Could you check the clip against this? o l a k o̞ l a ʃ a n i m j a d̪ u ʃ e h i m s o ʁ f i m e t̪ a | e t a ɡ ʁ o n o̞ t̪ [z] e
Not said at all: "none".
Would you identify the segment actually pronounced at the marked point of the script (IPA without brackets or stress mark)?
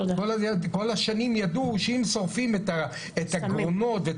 v